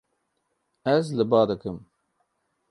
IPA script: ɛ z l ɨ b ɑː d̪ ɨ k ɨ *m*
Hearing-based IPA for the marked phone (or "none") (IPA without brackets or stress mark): m